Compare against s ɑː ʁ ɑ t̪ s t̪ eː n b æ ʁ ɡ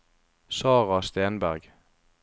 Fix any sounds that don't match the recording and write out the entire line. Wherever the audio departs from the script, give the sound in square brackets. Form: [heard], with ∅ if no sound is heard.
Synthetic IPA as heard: s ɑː ʁ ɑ [∅] s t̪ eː n b æ ʁ ɡ